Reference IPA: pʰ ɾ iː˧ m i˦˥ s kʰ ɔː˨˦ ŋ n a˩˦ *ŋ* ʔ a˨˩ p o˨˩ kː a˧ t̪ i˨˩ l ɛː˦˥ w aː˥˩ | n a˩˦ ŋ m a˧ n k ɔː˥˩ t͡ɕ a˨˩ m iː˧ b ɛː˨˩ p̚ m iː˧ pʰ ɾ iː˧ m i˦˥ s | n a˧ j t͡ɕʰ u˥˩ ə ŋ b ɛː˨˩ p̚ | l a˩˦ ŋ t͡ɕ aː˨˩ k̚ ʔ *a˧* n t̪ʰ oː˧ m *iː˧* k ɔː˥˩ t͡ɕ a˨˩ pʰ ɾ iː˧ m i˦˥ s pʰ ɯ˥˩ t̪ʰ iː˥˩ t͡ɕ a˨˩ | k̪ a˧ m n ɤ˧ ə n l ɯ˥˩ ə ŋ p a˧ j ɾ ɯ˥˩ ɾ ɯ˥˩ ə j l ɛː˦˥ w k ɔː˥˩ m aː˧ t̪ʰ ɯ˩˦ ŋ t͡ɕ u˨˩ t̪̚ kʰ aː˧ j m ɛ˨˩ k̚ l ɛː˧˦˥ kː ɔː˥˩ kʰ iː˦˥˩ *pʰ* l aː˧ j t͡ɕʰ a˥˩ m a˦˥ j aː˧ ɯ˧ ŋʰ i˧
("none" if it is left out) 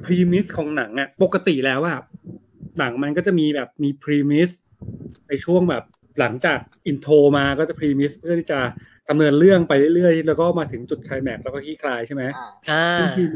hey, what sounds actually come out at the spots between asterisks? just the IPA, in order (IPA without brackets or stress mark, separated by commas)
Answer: ŋ, i˧, aː˧, kʰ